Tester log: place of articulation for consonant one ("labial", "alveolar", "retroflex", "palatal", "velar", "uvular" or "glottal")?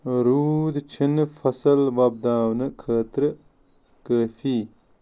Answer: alveolar